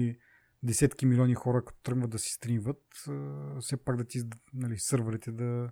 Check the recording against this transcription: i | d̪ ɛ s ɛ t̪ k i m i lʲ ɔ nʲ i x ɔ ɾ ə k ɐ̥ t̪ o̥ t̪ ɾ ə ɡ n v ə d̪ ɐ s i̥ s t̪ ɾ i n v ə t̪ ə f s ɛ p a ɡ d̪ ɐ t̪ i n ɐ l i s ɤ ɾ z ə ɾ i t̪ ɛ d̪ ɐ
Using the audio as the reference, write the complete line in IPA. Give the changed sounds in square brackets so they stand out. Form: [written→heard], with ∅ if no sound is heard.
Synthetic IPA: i | d̪ ɛ s ɛ t̪ k i m i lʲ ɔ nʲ i x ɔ ɾ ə k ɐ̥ t̪ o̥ t̪ ɾ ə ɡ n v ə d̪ ɐ s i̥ s t̪ ɾ i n v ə t̪ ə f s ɛ p a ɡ d̪ ɐ t̪ i n ɐ l i s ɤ ɾ [z→v] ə ɾ i t̪ ɛ d̪ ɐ